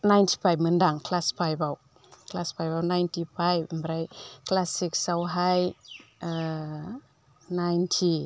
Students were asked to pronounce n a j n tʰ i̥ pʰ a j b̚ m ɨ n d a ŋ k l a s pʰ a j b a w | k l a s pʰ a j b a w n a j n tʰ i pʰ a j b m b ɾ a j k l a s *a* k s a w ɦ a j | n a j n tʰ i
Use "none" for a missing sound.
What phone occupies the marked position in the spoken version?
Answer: i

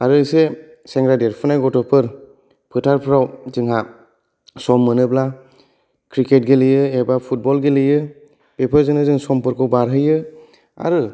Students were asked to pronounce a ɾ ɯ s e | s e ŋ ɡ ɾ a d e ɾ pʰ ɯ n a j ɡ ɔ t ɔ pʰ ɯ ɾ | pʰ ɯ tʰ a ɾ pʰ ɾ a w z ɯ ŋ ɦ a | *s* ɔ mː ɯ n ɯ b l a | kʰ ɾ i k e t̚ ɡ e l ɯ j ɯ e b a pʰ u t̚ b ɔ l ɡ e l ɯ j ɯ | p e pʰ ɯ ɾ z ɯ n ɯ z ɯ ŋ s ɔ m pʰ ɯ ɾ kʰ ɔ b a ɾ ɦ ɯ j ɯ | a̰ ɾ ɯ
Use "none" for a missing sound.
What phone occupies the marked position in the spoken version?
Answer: s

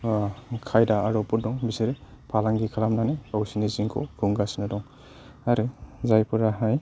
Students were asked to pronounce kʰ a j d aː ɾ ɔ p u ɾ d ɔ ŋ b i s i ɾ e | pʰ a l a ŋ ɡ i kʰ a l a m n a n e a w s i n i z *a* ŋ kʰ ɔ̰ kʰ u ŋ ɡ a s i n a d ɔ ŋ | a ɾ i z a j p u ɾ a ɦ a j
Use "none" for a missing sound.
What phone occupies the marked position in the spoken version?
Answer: i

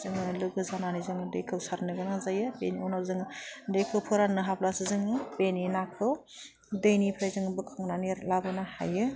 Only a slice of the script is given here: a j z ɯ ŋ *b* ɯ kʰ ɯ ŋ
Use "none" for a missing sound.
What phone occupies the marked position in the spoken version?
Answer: b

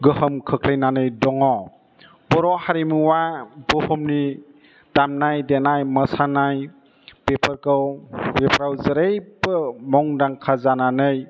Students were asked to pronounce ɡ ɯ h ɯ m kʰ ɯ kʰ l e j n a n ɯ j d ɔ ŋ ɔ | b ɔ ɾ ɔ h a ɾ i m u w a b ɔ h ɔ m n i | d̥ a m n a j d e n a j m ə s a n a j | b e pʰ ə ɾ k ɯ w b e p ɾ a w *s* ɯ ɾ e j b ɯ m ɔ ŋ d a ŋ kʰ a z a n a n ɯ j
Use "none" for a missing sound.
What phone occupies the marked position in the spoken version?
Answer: z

